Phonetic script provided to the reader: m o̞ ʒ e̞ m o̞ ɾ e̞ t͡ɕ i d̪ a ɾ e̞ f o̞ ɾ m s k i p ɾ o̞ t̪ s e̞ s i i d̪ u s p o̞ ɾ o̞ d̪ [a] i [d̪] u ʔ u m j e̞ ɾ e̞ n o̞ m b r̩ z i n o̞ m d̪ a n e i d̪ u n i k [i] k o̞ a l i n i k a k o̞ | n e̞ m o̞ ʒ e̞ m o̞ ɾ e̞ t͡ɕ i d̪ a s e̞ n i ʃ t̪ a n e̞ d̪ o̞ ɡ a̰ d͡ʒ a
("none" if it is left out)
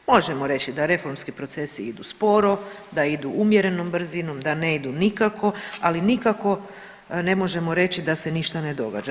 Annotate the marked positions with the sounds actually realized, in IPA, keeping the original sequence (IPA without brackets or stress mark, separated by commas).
a, d̪, a